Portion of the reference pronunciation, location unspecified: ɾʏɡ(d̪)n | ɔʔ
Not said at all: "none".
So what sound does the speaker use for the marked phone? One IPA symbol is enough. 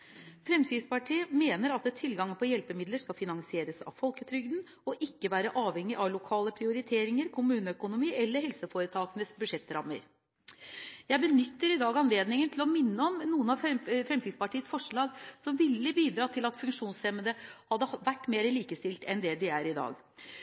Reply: d̪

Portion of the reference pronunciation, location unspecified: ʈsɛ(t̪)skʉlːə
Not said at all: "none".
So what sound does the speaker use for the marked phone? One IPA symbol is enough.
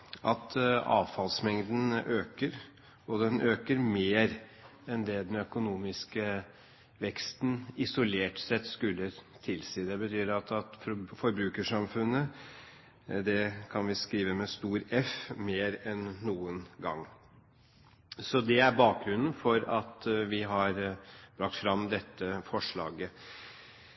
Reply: t̪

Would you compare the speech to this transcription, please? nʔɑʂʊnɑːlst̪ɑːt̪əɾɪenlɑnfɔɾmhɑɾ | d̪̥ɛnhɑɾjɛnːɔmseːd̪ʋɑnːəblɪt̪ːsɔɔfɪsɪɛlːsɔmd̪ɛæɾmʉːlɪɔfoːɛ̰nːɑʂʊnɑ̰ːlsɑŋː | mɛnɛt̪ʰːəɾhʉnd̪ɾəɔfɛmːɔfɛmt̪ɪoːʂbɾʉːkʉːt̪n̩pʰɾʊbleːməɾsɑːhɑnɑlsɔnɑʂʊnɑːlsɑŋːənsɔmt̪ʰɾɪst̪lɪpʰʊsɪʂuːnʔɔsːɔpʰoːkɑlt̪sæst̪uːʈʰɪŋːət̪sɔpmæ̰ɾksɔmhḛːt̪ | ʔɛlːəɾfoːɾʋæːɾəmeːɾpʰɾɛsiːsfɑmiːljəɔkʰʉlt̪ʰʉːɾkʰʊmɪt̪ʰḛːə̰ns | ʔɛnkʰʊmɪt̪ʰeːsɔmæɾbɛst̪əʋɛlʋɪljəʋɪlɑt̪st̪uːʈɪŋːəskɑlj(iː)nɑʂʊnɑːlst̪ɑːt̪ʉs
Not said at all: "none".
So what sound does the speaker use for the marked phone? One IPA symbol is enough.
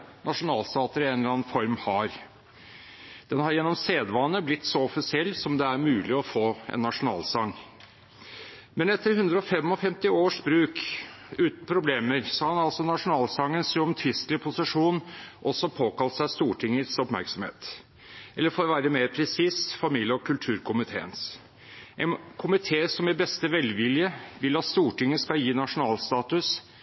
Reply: iː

